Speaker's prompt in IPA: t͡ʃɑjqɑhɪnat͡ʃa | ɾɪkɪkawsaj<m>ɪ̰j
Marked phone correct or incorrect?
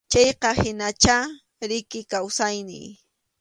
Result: incorrect